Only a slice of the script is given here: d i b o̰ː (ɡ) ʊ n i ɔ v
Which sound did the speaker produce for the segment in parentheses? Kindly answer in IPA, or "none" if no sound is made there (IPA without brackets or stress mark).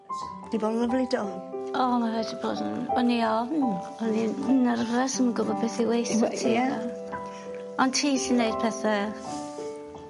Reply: d